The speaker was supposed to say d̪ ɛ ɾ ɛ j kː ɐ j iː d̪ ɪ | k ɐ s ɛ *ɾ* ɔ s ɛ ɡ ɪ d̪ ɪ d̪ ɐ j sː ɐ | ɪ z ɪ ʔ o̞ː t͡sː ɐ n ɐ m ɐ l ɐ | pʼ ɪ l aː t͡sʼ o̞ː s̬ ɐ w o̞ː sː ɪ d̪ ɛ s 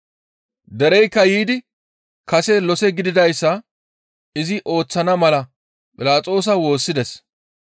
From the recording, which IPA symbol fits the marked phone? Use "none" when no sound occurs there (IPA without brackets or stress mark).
l